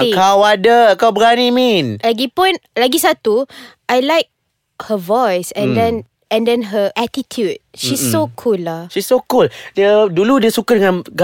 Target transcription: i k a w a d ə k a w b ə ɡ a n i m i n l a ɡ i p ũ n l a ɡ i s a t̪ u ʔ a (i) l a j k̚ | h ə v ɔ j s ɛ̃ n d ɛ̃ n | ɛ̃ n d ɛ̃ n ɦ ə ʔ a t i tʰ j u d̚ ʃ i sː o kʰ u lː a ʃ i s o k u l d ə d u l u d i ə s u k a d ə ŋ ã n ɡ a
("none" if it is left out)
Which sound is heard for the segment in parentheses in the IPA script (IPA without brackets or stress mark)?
j